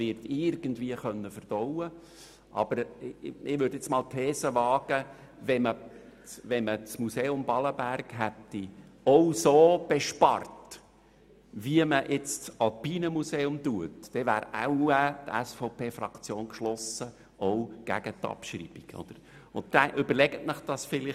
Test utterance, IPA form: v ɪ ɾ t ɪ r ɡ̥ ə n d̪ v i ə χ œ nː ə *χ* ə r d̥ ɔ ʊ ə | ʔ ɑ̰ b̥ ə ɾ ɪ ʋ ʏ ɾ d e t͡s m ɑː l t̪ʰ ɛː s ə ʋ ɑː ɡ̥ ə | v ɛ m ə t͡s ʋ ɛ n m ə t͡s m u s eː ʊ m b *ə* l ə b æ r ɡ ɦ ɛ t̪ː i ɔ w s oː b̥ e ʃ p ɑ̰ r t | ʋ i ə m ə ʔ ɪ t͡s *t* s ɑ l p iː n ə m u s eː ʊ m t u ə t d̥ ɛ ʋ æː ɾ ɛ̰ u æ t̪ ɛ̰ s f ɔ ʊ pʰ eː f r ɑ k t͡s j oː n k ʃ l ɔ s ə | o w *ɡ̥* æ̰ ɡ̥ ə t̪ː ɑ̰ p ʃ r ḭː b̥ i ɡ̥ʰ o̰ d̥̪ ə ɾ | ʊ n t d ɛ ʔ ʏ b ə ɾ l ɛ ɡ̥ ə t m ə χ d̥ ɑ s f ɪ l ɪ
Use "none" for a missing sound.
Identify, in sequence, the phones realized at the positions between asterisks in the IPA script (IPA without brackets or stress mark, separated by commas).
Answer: f, ɑ, t, ɡ̥